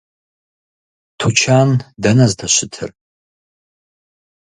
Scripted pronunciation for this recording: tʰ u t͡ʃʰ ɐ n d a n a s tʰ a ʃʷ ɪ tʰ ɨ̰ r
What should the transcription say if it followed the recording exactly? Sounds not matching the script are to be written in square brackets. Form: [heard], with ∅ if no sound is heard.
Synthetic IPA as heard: tʰ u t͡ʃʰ [a] n d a n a [z] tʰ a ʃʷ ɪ tʰ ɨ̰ r